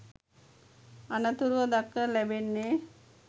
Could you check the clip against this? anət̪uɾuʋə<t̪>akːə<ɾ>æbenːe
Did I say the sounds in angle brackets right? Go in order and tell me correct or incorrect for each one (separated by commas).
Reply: incorrect, incorrect